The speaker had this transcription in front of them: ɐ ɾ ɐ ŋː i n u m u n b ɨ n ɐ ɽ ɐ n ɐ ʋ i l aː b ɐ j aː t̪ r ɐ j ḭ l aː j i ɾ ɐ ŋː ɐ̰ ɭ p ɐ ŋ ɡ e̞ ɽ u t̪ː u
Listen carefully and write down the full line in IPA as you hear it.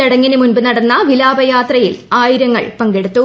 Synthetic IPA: ɐ ɽ ɐ ŋː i n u m u n b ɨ n ɐ ɽ ɐ nː ɐ ʋ i l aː b ɐ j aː t̪ r ɐ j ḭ l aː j i ɾ ɐ ŋː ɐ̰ ɭ p ɐ ŋ ɡ e̞ ɽ u t̪ː u